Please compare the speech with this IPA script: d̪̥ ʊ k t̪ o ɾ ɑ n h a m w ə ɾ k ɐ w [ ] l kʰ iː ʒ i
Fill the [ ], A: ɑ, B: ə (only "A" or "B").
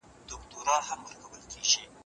B